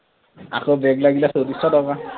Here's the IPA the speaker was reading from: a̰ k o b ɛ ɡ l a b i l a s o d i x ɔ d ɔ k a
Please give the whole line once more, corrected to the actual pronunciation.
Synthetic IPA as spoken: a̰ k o b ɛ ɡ l a ɡ i l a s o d i s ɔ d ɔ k a